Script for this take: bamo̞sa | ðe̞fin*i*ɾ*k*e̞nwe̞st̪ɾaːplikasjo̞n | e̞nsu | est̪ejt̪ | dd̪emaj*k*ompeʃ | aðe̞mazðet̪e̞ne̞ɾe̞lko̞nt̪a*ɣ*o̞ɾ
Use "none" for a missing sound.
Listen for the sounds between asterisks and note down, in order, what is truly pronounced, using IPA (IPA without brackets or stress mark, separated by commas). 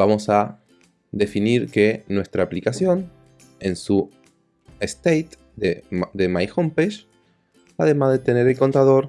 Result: i, k, x, ð